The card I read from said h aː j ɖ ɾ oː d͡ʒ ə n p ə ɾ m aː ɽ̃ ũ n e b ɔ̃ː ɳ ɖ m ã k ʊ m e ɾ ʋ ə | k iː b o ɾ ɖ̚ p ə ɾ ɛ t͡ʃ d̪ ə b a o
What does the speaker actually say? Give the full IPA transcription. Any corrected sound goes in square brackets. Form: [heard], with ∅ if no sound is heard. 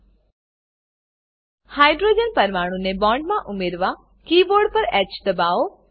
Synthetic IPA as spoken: h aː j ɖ ɾ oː d͡ʒ ə n p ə ɾ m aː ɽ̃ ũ n e b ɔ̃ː ɳ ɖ m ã [ʔ] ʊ m e ɾ ʋ [a] | k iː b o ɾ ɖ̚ p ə ɾ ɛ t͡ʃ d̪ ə b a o

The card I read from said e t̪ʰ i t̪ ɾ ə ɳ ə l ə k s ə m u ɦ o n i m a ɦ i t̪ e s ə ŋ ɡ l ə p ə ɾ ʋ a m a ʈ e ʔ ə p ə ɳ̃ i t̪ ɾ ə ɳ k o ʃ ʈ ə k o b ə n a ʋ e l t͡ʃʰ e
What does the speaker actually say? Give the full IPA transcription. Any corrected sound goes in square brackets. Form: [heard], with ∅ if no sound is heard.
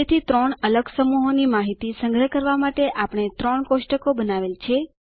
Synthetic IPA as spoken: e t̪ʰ i t̪ ɾ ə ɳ ə l ə [ɡ] s ə m u ɦ o n i m a ɦ i t̪ [i] s ə ŋ ɡ [ɾ] ə [k] ə ɾ ʋ a m a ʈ e ʔ [a] p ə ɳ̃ [e] t̪ ɾ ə ɳ k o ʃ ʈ ə k o b ə n a ʋ e l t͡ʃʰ e

